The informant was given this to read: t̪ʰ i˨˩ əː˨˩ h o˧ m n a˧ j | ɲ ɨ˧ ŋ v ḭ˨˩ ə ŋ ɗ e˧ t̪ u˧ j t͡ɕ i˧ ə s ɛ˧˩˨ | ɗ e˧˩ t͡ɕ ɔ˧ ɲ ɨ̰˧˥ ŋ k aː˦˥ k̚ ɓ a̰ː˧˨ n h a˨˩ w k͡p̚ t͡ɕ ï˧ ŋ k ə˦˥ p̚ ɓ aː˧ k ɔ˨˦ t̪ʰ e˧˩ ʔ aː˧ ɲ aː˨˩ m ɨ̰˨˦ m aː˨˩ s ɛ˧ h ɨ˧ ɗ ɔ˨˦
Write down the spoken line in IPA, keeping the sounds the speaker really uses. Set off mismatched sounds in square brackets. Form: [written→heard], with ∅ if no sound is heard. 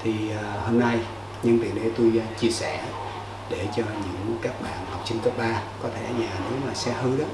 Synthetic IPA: t̪ʰ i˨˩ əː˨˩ h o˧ m n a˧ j | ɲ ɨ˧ ŋ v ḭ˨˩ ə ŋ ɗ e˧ t̪ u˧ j t͡ɕ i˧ ə s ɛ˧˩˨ | ɗ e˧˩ t͡ɕ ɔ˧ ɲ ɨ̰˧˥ ŋ k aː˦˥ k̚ ɓ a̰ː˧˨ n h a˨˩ w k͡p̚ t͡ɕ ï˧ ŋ k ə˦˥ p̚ ɓ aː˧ k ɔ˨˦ t̪ʰ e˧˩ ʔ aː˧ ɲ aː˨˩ [m→n] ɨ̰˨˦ m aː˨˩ s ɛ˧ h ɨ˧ ɗ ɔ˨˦